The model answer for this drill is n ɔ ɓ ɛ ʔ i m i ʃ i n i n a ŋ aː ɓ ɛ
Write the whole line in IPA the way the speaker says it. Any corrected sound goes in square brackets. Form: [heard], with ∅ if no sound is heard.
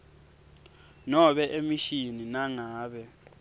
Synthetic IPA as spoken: n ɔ ɓ ɛ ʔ [e] m i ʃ i n i n a ŋ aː ɓ ɛ